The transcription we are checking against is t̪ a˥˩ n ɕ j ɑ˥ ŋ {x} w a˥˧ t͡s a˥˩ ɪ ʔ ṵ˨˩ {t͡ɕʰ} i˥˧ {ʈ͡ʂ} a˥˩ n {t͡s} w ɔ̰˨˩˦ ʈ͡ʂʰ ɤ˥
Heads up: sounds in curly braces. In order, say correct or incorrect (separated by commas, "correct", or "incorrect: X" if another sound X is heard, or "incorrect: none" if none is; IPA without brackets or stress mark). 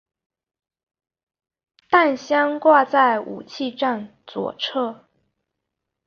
incorrect: k, correct, correct, correct